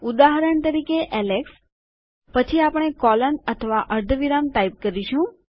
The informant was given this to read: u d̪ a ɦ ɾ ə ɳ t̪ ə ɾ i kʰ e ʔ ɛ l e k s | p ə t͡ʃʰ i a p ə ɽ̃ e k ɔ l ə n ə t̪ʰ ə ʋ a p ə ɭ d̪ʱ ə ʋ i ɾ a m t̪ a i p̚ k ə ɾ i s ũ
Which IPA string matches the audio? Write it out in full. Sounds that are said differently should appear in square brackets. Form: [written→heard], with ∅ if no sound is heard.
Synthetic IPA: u d̪ a ɦ ɾ ə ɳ t̪ ə ɾ i [kʰ→k] e ʔ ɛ l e k s | p ə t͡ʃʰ i a p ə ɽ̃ e k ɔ l ə n ə t̪ʰ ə ʋ a [p→ʔ] ə [ɭ→ɾ] d̪ʱ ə ʋ i ɾ a m t̪ a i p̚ k ə ɾ i [s→ʃ] ũ